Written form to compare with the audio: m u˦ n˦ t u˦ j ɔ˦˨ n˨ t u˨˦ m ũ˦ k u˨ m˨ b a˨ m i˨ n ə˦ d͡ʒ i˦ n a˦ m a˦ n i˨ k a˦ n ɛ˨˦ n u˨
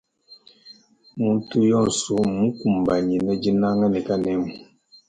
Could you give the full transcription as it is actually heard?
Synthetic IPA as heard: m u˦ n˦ t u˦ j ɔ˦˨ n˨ s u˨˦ m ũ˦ k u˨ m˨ b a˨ ɲ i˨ n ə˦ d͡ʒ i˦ n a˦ ŋ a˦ n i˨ k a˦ n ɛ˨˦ m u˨